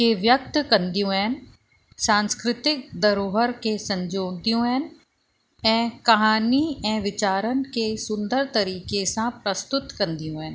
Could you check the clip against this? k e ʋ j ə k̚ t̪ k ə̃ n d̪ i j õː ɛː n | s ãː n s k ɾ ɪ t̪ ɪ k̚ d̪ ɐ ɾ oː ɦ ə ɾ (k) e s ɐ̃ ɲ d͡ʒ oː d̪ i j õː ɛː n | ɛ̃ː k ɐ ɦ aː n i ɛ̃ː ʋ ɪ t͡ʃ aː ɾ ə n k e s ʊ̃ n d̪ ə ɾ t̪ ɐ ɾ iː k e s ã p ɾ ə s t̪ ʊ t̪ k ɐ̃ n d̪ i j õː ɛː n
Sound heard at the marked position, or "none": k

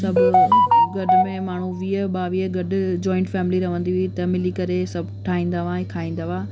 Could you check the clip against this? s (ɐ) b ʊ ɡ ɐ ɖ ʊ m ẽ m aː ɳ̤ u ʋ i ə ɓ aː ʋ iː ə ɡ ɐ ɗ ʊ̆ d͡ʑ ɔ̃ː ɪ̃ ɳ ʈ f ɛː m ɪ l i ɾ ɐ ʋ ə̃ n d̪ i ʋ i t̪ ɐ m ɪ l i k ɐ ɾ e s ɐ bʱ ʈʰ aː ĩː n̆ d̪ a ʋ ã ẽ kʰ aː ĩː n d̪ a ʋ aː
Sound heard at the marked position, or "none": ɐ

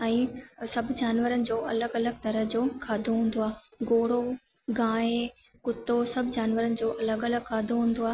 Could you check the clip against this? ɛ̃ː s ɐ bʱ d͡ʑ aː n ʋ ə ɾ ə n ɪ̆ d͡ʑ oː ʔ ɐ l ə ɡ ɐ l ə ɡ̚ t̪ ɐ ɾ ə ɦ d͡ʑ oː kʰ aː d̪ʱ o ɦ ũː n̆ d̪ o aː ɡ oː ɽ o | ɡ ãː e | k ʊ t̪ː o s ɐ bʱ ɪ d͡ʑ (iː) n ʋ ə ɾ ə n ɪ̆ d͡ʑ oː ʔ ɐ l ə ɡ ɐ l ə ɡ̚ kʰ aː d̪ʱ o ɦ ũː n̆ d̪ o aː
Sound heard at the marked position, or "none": aː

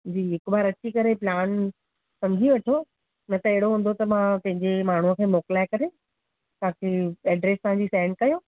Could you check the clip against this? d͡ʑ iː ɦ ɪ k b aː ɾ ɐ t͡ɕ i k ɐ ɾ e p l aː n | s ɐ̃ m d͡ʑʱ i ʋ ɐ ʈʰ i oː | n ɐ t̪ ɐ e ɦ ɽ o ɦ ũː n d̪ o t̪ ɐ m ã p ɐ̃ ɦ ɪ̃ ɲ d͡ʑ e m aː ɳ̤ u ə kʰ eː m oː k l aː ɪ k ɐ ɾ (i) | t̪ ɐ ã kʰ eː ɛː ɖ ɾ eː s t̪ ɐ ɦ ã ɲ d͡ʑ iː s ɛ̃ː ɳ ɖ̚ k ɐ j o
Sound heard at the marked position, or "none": e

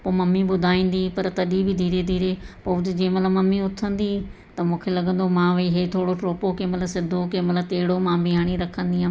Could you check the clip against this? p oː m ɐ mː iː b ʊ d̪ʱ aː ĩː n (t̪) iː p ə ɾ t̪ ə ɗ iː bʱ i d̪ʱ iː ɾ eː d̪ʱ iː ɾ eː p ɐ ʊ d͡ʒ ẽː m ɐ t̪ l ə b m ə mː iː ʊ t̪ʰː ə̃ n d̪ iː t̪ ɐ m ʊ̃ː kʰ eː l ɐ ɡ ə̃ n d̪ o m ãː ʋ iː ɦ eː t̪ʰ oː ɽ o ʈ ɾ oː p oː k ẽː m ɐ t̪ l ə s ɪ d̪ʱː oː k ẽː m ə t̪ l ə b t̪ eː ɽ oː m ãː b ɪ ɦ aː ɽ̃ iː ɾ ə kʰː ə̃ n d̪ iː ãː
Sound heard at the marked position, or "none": d̪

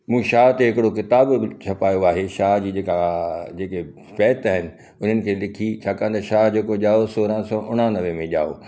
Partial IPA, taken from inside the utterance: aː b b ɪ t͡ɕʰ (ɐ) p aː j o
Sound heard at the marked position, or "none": ɐ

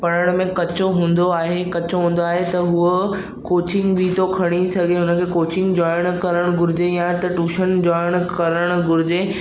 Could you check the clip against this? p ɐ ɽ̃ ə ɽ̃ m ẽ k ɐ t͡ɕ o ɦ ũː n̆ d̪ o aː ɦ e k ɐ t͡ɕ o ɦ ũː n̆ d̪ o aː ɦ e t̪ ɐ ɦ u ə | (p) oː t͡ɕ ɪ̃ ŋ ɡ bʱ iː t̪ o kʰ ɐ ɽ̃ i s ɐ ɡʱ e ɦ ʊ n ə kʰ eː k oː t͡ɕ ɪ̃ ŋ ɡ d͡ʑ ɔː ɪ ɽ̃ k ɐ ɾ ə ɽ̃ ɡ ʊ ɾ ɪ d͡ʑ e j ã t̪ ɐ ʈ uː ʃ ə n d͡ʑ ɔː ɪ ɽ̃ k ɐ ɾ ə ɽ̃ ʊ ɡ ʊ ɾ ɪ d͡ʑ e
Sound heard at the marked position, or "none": k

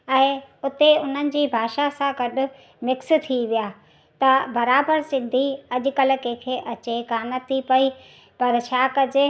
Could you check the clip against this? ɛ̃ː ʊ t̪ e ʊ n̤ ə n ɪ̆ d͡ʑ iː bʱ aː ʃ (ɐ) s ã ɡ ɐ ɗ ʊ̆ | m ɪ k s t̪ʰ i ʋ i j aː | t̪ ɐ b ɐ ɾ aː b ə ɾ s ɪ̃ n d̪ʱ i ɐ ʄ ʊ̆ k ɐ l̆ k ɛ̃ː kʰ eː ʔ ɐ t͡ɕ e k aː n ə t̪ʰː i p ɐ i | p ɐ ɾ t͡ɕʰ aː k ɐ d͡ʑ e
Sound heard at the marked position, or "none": a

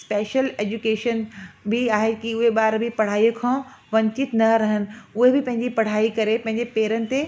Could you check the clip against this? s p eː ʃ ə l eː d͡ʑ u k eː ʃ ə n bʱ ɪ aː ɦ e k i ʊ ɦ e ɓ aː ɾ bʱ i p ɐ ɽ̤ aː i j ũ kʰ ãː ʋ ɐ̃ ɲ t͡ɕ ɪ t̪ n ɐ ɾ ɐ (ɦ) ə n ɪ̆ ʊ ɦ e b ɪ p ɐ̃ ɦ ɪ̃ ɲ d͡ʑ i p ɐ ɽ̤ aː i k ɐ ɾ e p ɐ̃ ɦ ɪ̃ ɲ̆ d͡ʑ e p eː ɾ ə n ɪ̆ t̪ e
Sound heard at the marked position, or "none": ɦ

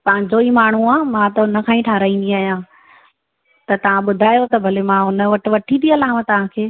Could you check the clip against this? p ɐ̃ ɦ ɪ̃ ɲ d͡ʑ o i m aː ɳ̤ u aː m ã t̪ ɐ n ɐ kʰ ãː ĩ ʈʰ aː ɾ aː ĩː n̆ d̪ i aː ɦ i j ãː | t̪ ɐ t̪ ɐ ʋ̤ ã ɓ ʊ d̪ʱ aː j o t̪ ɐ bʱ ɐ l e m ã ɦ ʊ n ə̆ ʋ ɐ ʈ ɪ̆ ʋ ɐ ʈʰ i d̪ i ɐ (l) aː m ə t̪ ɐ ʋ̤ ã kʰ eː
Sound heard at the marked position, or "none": l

